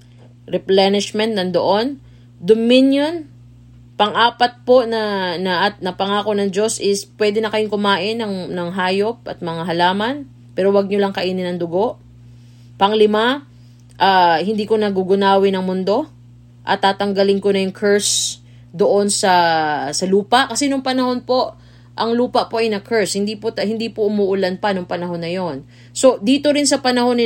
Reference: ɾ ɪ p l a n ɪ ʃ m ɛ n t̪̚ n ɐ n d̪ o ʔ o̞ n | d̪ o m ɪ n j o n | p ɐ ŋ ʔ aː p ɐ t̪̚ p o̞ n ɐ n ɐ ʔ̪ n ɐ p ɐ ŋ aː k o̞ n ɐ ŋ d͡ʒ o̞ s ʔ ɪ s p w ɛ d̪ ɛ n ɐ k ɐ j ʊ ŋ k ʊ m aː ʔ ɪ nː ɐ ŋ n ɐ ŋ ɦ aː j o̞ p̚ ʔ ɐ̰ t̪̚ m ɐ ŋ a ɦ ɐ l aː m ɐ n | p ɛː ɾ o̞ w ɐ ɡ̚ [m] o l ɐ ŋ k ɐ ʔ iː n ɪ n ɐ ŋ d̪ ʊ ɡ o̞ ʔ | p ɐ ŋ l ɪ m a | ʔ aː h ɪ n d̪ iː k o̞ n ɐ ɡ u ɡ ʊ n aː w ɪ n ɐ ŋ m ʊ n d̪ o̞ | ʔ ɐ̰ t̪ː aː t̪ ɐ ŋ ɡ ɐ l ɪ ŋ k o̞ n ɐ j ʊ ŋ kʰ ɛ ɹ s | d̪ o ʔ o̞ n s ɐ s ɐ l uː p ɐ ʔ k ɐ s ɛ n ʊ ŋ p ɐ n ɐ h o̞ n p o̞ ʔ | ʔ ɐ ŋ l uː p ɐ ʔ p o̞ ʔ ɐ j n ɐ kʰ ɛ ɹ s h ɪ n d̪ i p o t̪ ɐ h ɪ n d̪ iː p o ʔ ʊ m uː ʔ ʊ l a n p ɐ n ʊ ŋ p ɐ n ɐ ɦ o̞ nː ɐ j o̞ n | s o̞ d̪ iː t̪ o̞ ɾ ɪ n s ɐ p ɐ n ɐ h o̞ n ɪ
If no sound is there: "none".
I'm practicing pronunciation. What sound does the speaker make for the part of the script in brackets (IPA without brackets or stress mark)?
ɲ